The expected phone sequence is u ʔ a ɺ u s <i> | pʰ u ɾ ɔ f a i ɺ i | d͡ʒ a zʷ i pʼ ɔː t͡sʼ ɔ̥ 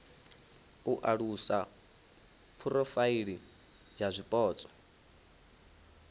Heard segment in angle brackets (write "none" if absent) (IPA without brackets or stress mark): a